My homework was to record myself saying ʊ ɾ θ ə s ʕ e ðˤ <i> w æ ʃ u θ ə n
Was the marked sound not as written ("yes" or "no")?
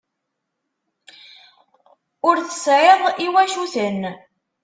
no